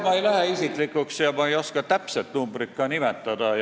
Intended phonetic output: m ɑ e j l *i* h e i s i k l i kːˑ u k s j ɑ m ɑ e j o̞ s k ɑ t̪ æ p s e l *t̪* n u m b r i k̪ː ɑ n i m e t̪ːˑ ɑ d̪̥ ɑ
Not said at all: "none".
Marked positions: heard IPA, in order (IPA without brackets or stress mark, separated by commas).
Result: æ, t̪